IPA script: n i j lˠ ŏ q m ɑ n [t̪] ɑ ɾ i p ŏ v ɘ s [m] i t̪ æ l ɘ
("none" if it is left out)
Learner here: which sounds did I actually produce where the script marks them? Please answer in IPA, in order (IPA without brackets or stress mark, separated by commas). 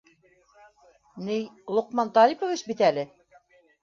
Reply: t̪, b